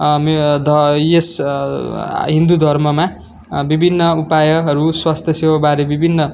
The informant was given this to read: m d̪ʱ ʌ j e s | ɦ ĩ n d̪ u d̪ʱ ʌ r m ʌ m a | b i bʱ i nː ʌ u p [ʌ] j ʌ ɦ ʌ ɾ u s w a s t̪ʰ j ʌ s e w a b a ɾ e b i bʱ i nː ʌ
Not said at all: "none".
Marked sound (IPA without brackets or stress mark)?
a